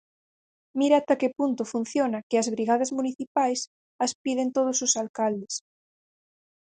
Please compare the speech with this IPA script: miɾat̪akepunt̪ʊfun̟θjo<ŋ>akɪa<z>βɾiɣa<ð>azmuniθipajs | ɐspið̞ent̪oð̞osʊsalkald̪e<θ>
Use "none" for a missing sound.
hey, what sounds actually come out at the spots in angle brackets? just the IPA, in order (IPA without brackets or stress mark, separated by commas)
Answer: n, z, ð, s